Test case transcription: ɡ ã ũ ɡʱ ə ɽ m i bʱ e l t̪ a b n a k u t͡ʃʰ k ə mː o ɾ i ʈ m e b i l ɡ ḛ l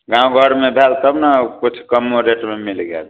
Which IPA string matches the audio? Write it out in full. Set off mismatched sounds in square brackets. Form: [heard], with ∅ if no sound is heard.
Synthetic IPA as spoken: ɡ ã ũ ɡʱ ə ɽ m [e] bʱ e l t̪ [ə] b n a k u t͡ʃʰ k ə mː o ɾ [e] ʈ m e [m] i l ɡ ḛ l